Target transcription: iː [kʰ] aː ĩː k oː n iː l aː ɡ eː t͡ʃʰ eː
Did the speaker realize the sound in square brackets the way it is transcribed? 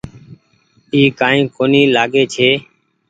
no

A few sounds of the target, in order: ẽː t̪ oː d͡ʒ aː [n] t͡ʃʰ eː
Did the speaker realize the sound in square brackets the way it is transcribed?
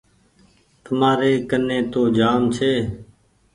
no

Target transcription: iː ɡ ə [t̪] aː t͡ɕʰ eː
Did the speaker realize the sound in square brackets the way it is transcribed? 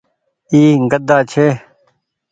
no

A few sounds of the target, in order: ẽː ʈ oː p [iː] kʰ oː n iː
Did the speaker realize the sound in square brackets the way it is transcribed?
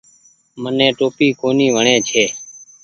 yes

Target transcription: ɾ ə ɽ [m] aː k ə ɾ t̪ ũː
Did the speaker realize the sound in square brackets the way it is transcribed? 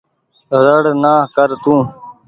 no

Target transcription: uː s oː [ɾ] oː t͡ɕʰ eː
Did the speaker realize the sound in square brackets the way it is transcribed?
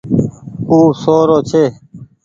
yes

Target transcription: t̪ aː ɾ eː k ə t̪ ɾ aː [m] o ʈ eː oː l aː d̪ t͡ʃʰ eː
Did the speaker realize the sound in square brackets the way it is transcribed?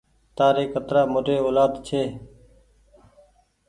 yes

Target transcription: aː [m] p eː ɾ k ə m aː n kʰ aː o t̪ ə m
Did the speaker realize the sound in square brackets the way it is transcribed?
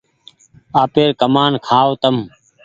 no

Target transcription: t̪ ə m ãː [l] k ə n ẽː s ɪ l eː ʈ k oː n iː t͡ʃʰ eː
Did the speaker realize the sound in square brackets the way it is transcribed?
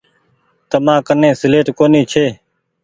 no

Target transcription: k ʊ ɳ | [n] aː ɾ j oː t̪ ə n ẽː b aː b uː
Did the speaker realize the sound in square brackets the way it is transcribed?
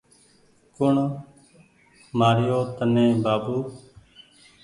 no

